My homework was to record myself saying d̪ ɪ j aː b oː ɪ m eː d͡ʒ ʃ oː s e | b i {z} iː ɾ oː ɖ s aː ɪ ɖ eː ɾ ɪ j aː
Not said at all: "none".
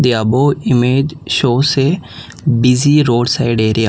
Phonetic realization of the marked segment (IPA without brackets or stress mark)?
z